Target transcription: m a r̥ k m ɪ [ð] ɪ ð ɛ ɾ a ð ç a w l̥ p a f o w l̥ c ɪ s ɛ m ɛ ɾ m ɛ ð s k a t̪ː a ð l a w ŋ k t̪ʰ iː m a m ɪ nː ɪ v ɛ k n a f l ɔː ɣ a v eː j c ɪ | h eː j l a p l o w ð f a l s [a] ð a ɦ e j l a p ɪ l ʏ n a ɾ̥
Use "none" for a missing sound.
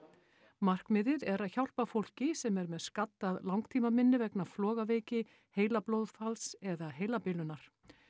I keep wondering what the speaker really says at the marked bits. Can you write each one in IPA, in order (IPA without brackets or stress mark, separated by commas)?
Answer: ð, ɛ